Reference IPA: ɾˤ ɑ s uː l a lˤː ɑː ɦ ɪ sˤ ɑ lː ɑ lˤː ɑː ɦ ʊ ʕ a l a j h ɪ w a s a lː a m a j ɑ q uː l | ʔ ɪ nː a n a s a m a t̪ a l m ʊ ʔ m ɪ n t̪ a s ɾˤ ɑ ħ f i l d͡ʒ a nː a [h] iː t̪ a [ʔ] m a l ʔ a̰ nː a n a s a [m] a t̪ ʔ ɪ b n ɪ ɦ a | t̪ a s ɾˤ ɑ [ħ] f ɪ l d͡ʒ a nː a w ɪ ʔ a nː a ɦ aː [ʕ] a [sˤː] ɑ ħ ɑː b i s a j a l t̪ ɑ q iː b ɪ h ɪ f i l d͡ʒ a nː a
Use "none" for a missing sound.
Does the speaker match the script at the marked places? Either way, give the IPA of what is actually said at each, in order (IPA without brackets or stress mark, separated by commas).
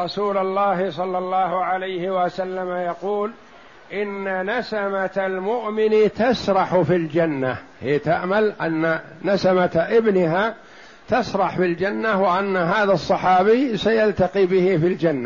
h, ʔ, m, ħ, ð, sˤː